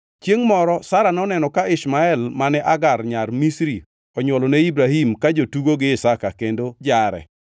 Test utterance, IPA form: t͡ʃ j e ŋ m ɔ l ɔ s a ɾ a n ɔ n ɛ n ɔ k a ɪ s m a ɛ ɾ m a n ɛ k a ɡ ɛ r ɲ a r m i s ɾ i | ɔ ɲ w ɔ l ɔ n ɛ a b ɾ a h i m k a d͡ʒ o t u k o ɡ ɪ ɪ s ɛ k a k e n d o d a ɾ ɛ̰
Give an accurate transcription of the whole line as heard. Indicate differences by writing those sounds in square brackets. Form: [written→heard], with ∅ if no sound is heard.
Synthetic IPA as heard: t͡ʃ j e ŋ m ɔ [l→ɾ] ɔ s a ɾ a n ɔ n ɛ n ɔ k a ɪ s m a ɛ [ɾ→l] m a n ɛ [k→ʔ] a ɡ [ɛ→a] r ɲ a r m i s ɾ i | ɔ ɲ w ɔ l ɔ n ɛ [a→i] b ɾ a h i m k a d͡ʒ o t u [k→ɡ] o ɡ ɪ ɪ s [ɛ→a] k a k e n d o [d→d͡ʒ] a ɾ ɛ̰